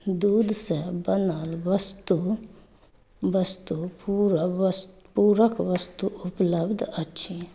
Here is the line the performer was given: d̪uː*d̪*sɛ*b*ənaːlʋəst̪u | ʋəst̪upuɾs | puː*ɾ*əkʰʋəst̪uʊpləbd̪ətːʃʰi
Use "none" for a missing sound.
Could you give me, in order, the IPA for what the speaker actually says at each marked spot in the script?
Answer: d̪, b, ɾ

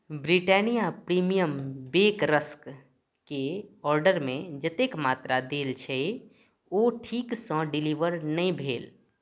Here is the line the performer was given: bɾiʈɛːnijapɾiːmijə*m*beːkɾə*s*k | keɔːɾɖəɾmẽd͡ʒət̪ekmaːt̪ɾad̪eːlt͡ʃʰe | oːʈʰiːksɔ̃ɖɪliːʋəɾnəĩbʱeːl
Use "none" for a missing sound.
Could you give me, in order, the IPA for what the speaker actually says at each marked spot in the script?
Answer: m, s

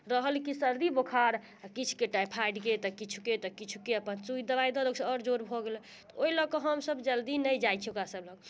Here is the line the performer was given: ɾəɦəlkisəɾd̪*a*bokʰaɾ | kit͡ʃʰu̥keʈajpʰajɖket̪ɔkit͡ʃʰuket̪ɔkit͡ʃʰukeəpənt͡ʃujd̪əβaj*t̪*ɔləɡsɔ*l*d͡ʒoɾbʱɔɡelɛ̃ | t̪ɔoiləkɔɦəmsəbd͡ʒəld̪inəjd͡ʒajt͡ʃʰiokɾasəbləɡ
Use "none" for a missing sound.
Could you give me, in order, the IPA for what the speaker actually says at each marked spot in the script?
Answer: i, d̪, ɾ

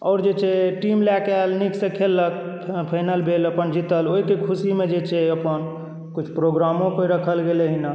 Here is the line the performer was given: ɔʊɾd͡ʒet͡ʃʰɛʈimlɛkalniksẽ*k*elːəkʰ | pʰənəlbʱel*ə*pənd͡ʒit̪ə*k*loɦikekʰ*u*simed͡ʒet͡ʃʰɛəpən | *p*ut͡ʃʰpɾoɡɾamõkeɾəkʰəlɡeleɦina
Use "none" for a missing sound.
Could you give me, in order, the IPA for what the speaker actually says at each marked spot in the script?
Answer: kʰ, ə, none, u, k

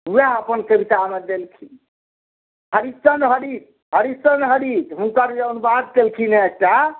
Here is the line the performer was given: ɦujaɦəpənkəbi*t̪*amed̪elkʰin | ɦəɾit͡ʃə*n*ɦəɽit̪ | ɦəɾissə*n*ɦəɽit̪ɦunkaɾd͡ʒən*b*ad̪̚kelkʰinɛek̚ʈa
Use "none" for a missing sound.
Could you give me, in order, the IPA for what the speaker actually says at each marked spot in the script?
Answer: t̪, n, n, b

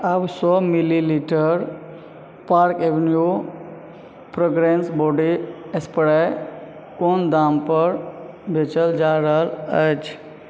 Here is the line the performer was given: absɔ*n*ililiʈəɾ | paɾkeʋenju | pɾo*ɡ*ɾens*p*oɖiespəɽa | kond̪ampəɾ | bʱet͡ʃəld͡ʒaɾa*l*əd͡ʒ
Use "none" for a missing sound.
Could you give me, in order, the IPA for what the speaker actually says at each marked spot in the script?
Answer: m, ɡ, b, l

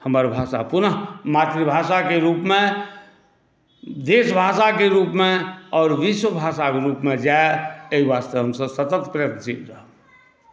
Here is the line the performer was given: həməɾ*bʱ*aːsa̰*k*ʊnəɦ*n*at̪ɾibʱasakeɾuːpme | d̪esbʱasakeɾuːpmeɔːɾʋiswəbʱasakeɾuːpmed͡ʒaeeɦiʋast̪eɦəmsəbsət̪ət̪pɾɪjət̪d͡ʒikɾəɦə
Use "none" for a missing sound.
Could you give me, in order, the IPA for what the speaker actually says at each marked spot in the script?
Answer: bʱ, p, m

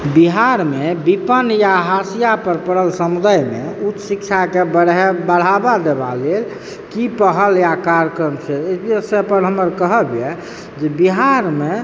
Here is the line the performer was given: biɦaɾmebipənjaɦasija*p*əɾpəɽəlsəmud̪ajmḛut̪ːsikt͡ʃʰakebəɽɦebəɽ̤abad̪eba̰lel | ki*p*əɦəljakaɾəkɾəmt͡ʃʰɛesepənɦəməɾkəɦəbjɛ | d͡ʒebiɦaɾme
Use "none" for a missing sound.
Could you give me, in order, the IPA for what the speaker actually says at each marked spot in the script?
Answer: p, p

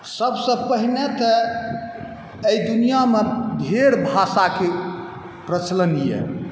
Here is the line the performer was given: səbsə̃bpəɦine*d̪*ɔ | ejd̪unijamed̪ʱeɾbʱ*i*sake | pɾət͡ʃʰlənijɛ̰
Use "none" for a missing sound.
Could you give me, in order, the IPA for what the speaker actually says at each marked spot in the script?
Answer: t̪, a

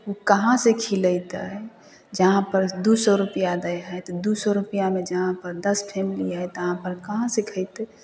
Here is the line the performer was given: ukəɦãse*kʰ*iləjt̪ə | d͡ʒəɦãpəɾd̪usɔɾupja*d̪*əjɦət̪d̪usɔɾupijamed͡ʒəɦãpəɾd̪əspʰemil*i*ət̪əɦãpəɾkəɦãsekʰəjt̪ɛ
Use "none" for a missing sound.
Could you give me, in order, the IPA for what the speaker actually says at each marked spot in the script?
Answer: kʰ, d̪, i

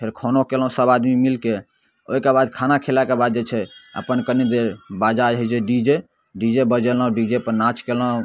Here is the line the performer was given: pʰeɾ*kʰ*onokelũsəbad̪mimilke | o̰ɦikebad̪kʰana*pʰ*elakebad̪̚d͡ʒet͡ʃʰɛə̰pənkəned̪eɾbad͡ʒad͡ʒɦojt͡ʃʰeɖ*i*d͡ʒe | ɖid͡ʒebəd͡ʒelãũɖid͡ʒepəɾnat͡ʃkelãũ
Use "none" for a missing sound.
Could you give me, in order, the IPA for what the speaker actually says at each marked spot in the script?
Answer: kʰ, kʰ, i

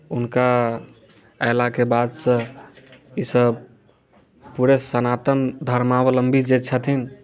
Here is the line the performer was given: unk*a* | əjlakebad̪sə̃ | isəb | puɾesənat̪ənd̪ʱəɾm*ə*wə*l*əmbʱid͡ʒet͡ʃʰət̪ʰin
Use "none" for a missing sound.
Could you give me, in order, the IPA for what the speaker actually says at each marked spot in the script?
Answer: a, a, l

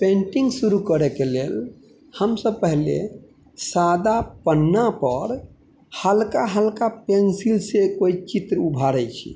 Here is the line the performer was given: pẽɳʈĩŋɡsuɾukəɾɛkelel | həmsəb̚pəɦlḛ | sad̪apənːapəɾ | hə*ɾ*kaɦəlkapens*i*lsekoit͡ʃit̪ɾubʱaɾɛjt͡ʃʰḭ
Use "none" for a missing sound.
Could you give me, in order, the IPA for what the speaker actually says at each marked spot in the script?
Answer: l, i

